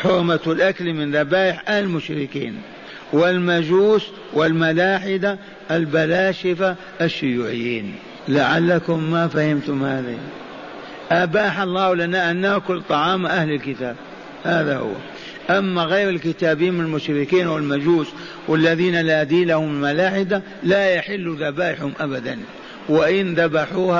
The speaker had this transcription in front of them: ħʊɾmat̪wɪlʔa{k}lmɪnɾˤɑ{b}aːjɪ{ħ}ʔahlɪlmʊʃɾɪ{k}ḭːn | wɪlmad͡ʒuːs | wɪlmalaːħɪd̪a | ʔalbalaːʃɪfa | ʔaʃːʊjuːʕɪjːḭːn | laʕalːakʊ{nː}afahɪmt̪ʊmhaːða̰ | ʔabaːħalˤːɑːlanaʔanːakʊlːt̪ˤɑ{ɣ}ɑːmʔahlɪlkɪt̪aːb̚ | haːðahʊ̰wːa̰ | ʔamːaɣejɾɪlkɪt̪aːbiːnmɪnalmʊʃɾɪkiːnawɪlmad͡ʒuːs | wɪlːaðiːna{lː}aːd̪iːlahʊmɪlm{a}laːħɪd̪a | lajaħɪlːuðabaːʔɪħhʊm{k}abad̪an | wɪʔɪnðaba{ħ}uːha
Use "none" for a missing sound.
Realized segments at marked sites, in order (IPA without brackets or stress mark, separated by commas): k, b, ħ, k, mː, ʕ, l, a, ʔ, ħ